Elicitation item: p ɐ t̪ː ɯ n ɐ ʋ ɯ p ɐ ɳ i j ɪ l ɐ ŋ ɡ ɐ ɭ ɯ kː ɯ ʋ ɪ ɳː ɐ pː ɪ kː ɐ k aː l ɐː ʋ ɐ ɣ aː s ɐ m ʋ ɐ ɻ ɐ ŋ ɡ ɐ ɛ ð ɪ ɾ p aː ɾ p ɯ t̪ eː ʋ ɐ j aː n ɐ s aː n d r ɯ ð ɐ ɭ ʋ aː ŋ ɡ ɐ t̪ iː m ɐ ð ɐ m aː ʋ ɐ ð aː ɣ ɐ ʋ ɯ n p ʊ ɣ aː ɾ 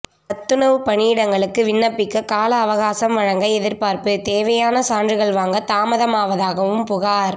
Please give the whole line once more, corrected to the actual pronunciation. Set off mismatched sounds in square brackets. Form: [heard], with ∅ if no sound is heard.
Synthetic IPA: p ɐ t̪ː ɯ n ɐ ʋ ɯ p ɐ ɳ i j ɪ [ɽ] ɐ ŋ ɡ ɐ ɭ ɯ kː ɯ ʋ ɪ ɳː ɐ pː ɪ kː ɐ k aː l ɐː ʋ ɐ ɣ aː s ɐ m ʋ ɐ ɻ ɐ ŋ ɡ ɐ ɛ ð ɪ ɾ p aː ɾ p ɯ t̪ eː ʋ ɐ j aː n ɐ s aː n d r ɯ [ɣ] ɐ ɭ ʋ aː ŋ ɡ ɐ t̪ [aː] m ɐ ð ɐ m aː ʋ ɐ ð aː ɣ ɐ ʋ ɯ [m] p ʊ ɣ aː ɾ

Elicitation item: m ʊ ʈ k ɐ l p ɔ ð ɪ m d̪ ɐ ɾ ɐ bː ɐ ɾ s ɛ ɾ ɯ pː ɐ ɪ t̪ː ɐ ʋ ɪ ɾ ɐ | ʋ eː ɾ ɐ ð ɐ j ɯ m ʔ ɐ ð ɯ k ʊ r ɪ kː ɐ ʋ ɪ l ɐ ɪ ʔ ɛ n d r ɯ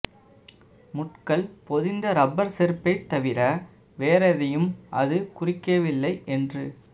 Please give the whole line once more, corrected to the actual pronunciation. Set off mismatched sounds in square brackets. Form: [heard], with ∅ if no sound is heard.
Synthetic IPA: m ʊ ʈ k ɐ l p ɔ ð ɪ [n] d̪ ɐ ɾ ɐ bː ɐ ɾ s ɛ ɾ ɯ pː ɐ ɪ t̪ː ɐ ʋ ɪ ɾ ɐ | ʋ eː ɾ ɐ ð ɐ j ɯ m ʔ ɐ ð ɯ k ʊ r ɪ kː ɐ ʋ ɪ [lː] ɐ ɪ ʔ ɛ n d r ɯ

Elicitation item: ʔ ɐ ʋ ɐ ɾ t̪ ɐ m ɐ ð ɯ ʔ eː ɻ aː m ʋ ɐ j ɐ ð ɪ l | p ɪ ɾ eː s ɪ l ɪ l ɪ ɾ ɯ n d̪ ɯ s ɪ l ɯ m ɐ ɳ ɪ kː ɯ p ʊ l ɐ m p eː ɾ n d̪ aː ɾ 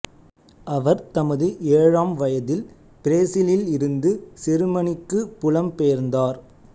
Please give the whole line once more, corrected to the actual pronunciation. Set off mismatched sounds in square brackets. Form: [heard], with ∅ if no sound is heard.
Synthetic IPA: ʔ ɐ ʋ ɐ ɾ t̪ ɐ m ɐ ð ɯ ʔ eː ɻ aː m ʋ ɐ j ɐ ð ɪ l | p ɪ ɾ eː s ɪ l ɪ l ɪ ɾ ɯ n d̪ ɯ s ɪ [ɾ] ɯ m ɐ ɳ ɪ kː ɯ p ʊ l ɐ m p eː ɾ n d̪ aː ɾ

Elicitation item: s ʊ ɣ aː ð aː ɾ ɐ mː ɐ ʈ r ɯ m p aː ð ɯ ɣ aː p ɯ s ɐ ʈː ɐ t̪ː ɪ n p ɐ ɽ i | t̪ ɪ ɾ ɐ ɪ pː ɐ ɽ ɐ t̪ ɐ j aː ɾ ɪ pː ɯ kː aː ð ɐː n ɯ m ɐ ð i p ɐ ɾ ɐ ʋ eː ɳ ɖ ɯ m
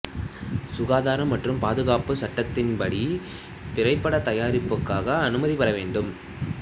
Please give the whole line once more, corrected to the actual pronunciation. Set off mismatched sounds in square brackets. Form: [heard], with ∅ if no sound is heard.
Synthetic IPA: s ʊ ɣ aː ð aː ɾ ɐ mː ɐ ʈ r ɯ m p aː ð ɯ ɣ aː p ɯ s ɐ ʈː ɐ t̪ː ɪ n p ɐ ɽ i | t̪ ɪ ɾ ɐ ɪ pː ɐ ɽ ɐ t̪ ɐ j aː ɾ ɪ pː ɯ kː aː [ɣ] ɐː n ɯ m ɐ ð i p ɐ ɾ ɐ ʋ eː ɳ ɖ ɯ m

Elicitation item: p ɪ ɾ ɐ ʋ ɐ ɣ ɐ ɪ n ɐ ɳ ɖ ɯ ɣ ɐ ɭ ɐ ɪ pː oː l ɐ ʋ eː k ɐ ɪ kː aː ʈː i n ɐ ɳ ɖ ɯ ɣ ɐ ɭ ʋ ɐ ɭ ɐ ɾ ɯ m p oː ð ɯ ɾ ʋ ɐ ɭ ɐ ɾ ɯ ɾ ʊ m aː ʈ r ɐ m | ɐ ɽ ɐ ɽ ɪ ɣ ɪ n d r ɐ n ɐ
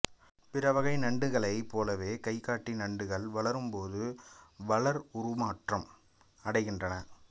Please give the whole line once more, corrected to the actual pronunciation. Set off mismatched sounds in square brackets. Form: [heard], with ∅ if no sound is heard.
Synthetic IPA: p ɪ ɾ ɐ ʋ ɐ ɣ ɐ ɪ n ɐ ɳ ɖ ɯ ɣ ɐ ɭ ɐ ɪ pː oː l ɐ ʋ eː k ɐ ɪ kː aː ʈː i n ɐ ɳ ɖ ɯ ɣ ɐ ɭ ʋ ɐ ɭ ɐ ɾ ɯ m p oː ð ɯ [∅] ʋ ɐ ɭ ɐ ɾ [ʊ] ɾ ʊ m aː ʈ r ɐ m | ɐ ɽ ɐ [∅] ɪ ɣ ɪ n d r ɐ n ɐ

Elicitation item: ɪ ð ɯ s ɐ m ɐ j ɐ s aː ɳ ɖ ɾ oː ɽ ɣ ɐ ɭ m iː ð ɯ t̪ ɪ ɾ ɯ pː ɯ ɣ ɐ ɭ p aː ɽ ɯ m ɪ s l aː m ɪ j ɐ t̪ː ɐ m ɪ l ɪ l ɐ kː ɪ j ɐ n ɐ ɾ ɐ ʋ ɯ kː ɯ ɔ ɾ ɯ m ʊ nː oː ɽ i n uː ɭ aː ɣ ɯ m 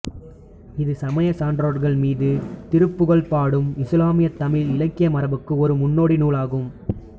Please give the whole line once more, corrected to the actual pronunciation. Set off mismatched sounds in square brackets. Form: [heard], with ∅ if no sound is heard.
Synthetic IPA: ɪ ð ɯ s ɐ m ɐ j ɐ s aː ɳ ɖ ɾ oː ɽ ɣ ɐ ɭ m iː ð ɯ t̪ ɪ ɾ ɯ pː ɯ ɣ ɐ ɭ p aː ɽ ɯ m ɪ s l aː m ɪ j ɐ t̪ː ɐ m ɪ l ɪ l ɐ kː ɪ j ɐ [m] ɐ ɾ ɐ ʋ ɯ kː ɯ ɔ ɾ ɯ m ʊ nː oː ɽ i n uː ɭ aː ɣ ɯ m

